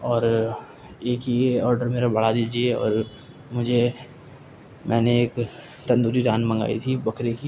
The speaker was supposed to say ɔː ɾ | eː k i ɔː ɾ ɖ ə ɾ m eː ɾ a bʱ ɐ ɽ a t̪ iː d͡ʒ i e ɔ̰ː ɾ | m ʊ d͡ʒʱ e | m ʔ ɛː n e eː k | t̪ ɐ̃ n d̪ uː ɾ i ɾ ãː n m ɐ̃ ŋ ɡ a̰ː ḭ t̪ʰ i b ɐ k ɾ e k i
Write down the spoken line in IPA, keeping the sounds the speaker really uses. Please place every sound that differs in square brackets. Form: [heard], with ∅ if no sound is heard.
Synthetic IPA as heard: ɔː ɾ | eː k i ɔː ɾ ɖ ə ɾ m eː ɾ a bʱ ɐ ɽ a [d̪] iː d͡ʒ i e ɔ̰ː ɾ | m ʊ d͡ʒʱ e | m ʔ ɛː n e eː k | t̪ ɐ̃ n d̪ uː ɾ i ɾ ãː n m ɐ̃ ŋ ɡ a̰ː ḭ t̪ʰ i b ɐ k ɾ e k i

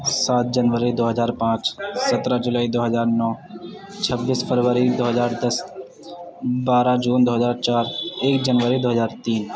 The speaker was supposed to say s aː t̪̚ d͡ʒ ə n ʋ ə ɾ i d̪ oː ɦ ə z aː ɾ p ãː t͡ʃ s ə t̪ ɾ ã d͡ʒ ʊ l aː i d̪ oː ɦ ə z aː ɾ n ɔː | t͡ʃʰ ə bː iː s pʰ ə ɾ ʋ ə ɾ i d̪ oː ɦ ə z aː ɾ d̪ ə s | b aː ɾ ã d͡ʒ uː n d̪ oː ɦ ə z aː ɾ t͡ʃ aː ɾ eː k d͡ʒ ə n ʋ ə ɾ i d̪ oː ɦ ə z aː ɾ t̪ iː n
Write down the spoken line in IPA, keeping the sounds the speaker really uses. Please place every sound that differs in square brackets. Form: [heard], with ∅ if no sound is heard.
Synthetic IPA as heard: s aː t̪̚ d͡ʒ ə n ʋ ə ɾ i d̪ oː ɦ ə z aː ɾ p ãː t͡ʃ s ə t̪ ɾ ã d͡ʒ ʊ l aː i d̪ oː ɦ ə z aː ɾ n ɔː | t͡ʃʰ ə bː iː s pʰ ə ɾ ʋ ə ɾ i d̪ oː ɦ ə z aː ɾ d̪ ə s | b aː ɾ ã d͡ʒ uː n d̪ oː ɦ ə z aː ɾ t͡ʃ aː ɾ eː k d͡ʒ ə n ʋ ə ɾ i d̪ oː ɦ ə z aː ɾ t̪ iː n

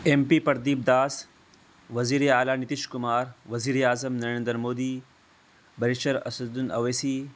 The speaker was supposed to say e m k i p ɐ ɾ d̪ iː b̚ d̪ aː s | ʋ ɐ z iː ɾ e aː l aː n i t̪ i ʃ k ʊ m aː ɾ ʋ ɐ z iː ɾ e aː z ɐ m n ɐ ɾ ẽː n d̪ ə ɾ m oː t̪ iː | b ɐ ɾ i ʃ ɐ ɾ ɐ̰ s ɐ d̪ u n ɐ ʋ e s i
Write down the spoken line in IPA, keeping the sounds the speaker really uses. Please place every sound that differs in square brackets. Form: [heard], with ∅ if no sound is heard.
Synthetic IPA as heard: e m [p] i p ɐ ɾ d̪ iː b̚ d̪ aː s | ʋ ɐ z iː ɾ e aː l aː n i t̪ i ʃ k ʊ m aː ɾ ʋ ɐ z iː ɾ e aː z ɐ m n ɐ ɾ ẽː n d̪ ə ɾ m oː [d̪] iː | b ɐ ɾ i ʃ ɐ ɾ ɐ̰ s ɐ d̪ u n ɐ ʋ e s i

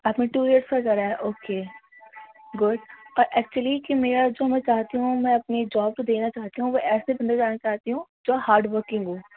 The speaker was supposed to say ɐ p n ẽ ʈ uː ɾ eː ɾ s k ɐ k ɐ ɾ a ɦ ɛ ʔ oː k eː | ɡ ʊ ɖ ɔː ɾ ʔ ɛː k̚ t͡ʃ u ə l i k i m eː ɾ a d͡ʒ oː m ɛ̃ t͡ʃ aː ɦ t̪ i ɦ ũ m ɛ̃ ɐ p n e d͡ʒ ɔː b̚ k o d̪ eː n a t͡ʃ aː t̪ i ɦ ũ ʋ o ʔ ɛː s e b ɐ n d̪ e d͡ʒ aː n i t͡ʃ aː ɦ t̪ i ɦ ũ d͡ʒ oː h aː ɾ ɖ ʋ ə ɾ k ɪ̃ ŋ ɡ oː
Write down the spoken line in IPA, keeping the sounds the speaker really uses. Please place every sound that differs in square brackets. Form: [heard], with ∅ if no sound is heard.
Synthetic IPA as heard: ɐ p n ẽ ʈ uː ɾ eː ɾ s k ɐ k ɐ ɾ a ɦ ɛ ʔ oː k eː | ɡ ʊ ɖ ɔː ɾ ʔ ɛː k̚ t͡ʃ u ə l i k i m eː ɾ a d͡ʒ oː m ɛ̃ t͡ʃ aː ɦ t̪ i ɦ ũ m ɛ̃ ɐ p n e d͡ʒ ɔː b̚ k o d̪ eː n a t͡ʃ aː t̪ i ɦ ũ ʋ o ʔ ɛː s e b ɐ n d̪ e d͡ʒ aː n [a] t͡ʃ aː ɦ t̪ i ɦ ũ d͡ʒ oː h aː ɾ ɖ ʋ ə ɾ k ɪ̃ ŋ ɡ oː

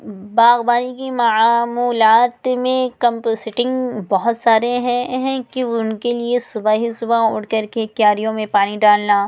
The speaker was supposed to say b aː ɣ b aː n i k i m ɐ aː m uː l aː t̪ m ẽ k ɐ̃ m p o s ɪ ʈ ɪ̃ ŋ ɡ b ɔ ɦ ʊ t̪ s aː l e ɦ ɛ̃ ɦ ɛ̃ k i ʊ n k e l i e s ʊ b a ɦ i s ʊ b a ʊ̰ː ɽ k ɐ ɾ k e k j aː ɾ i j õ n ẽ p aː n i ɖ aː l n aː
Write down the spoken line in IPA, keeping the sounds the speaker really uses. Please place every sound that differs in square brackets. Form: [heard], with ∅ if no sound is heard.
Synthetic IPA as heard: b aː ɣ b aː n i k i m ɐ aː m uː l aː t̪ m ẽ k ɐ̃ m p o s ɪ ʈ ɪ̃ ŋ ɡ b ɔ ɦ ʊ t̪ s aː [ɾ] e ɦ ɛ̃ ɦ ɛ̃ k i ʊ n k e l i e s ʊ b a ɦ i s ʊ b a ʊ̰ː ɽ k ɐ ɾ k e k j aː ɾ i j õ [m] ẽ p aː n i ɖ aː l n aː

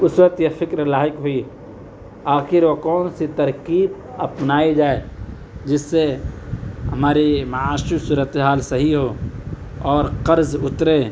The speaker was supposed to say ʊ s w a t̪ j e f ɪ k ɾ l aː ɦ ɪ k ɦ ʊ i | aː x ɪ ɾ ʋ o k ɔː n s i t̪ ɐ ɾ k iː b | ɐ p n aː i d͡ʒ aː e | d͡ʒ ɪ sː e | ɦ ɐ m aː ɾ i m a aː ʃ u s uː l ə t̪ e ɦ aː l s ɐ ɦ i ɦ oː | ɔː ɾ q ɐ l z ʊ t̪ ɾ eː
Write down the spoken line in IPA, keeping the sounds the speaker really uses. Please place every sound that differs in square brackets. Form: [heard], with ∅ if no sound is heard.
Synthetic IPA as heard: ʊ s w [ə] t̪ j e f ɪ k ɾ l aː ɦ ɪ k ɦ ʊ i | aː x ɪ ɾ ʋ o k ɔː n s i t̪ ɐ ɾ k iː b | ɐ p n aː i d͡ʒ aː e | d͡ʒ ɪ sː e | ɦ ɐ m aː ɾ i m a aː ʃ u s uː [ɾ] ə t̪ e ɦ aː l s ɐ ɦ i ɦ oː | ɔː ɾ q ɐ [ɾ] z ʊ t̪ ɾ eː

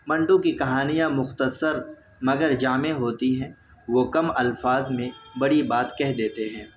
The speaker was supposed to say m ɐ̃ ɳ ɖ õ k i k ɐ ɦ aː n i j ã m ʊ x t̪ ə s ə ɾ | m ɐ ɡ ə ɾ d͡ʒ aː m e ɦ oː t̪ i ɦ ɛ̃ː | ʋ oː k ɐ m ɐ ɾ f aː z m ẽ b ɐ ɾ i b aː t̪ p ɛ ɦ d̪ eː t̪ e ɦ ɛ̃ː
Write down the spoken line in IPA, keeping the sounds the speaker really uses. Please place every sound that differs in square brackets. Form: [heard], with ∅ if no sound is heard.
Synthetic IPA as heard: m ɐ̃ ɳ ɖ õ k i k ɐ ɦ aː n i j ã m ʊ x t̪ ə s ə ɾ | m ɐ ɡ ə ɾ d͡ʒ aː m e ɦ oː t̪ i ɦ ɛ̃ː | ʋ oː k ɐ m ɐ [l] f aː z m ẽ b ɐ [ɽ] i b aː t̪ [k] ɛ ɦ d̪ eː t̪ e ɦ ɛ̃ː

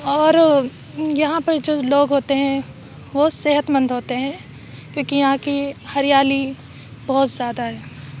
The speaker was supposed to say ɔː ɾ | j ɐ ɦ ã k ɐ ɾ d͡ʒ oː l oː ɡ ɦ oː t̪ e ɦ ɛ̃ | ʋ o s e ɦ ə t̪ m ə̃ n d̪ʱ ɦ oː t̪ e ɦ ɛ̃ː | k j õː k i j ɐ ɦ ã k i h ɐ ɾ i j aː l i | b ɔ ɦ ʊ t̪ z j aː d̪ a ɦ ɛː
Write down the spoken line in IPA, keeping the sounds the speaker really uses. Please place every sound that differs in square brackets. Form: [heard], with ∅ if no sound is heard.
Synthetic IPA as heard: ɔː ɾ | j ɐ ɦ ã [p] ɐ ɾ d͡ʒ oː l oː ɡ ɦ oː t̪ e ɦ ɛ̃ | ʋ o s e ɦ ə t̪ m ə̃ n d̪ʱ ɦ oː t̪ e ɦ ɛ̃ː | k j õː k i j ɐ ɦ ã k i h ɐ ɾ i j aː l i | b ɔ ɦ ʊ t̪ z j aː d̪ a ɦ ɛː

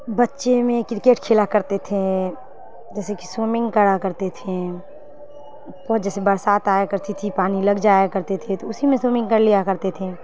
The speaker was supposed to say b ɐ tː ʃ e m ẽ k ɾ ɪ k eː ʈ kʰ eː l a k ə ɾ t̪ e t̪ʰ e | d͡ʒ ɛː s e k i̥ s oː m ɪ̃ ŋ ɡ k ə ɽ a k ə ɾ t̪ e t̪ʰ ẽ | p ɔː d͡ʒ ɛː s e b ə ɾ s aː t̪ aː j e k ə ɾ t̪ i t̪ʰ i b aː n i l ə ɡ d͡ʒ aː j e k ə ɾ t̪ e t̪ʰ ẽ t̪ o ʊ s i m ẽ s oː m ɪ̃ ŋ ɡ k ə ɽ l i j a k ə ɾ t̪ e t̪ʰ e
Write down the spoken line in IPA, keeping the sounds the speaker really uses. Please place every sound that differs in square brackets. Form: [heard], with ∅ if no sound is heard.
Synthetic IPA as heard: b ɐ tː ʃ e m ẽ k ɾ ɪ k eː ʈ kʰ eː l a k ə ɾ t̪ e t̪ʰ e | d͡ʒ ɛː s e k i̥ s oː m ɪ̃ ŋ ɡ k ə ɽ a k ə ɾ t̪ e t̪ʰ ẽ | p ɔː d͡ʒ ɛː s e b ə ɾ s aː t̪ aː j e k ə ɾ t̪ i t̪ʰ i [p] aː n i l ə ɡ d͡ʒ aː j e k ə ɾ t̪ e t̪ʰ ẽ t̪ o ʊ s i m ẽ s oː m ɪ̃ ŋ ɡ k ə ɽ l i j a k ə ɾ t̪ e t̪ʰ e

